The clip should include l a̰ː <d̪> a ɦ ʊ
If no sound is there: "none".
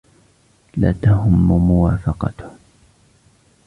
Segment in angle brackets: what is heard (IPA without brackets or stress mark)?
t̪